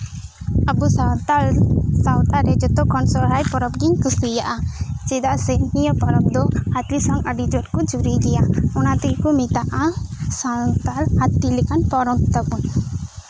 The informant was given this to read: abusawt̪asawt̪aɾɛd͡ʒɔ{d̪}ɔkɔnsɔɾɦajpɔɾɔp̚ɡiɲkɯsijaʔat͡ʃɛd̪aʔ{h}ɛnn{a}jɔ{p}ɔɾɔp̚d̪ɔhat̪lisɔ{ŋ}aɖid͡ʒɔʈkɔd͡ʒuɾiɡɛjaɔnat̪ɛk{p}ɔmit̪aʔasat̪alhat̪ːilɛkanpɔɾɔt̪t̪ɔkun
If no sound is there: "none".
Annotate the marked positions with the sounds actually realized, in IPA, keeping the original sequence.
t̪, s, i, p, ŋ, k

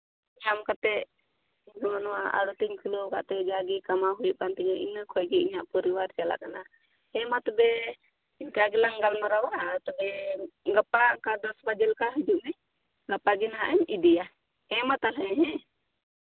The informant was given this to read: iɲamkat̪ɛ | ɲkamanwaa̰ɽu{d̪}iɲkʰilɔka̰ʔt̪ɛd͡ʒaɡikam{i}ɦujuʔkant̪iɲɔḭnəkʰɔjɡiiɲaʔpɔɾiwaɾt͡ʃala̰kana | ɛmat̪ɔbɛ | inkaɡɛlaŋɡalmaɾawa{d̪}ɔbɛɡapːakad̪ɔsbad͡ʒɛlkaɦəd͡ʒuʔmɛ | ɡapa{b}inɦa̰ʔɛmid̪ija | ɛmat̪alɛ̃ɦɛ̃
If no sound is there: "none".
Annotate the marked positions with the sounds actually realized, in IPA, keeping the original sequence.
t̪, a, t̪, ɡ

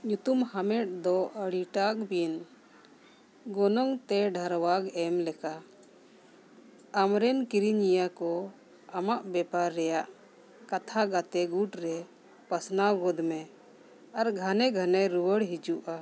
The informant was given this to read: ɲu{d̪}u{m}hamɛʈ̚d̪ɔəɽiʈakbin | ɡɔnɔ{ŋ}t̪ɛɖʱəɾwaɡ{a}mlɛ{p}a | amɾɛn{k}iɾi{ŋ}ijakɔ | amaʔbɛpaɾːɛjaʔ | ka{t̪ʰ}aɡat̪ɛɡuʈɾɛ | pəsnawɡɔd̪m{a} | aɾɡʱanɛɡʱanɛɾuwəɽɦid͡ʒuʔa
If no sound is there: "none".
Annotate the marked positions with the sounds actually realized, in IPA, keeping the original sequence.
t̪, m, ŋ, ɛ, k, k, ɲ, t̪ʰ, ɛ

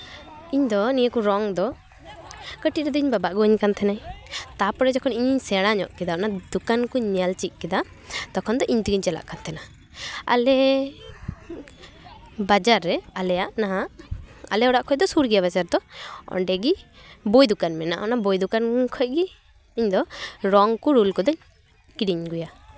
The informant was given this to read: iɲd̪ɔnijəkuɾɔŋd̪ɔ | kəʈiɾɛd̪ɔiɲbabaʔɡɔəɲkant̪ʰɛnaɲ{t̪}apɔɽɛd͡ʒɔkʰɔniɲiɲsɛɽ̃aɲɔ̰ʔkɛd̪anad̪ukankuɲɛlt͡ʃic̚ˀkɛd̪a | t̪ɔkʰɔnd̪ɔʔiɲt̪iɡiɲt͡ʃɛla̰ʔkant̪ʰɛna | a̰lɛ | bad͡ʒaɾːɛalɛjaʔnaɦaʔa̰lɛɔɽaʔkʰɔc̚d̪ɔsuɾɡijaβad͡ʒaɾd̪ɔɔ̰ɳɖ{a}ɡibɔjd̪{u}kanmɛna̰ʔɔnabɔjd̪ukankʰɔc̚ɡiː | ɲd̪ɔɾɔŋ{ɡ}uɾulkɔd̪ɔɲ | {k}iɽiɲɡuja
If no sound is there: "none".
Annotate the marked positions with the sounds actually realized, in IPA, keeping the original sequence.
t̪, ɛ, u, k, k

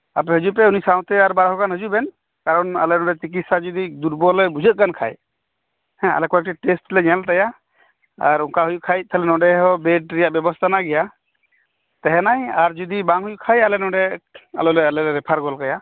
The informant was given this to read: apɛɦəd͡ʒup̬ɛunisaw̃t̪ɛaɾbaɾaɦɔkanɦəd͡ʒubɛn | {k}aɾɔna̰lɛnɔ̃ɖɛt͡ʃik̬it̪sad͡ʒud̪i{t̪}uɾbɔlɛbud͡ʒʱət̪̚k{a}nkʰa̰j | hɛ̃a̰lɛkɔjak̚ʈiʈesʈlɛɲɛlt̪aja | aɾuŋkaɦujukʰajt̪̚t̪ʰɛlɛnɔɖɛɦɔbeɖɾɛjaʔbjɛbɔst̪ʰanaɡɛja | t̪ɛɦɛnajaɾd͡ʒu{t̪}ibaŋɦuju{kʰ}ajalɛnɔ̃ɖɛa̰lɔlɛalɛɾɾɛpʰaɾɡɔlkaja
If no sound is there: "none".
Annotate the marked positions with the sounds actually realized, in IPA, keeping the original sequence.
k, d̪, a, d̪, kʰ

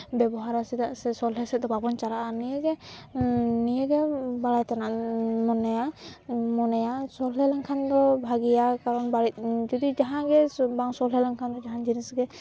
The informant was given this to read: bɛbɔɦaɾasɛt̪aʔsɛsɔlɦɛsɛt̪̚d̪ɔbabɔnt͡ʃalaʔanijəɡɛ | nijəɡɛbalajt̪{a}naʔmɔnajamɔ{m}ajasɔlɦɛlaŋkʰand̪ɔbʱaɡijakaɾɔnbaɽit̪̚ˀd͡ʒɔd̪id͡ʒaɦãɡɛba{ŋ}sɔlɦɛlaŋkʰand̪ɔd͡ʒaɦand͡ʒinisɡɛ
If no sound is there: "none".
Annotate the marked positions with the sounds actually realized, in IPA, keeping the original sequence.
a, n, ŋ

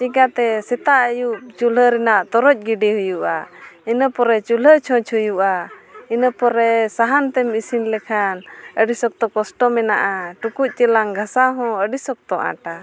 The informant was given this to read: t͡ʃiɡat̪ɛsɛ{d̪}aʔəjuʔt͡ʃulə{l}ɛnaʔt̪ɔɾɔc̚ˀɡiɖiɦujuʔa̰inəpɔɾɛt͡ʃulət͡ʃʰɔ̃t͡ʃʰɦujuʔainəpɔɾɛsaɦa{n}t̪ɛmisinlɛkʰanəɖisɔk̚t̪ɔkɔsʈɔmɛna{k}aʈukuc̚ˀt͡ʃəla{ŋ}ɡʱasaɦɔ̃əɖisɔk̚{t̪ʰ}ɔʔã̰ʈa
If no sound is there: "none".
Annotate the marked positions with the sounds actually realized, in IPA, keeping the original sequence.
t̪, ɾ, n, ʔ, ŋ, t̪

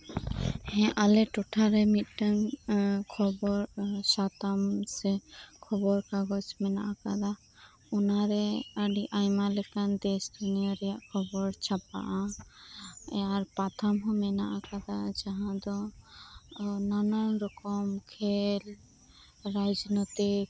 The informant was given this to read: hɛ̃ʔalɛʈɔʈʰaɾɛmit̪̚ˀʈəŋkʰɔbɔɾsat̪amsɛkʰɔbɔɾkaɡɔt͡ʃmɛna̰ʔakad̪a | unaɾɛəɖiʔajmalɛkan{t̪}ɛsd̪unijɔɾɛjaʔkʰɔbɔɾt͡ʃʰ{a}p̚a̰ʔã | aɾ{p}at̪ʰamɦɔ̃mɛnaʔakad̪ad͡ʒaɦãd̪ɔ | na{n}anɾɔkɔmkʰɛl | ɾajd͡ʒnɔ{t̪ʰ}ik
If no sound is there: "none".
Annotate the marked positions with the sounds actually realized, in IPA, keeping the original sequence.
d̪, a, p, n, t̪

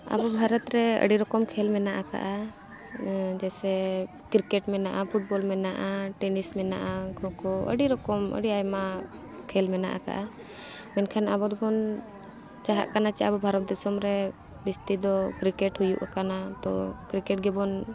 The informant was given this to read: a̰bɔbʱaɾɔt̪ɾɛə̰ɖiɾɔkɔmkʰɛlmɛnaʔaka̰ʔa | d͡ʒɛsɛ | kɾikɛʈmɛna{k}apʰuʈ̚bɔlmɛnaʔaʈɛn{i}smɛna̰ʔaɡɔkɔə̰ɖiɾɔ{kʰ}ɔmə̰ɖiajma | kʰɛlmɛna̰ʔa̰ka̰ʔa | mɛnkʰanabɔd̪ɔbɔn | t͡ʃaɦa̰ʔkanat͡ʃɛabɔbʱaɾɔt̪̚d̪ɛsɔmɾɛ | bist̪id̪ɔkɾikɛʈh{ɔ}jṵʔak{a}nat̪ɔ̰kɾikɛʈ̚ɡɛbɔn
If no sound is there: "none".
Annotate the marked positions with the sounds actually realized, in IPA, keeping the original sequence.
ʔ, i, k, u, a

